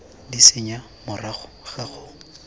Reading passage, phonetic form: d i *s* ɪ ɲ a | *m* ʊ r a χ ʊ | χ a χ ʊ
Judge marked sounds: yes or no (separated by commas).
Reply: yes, yes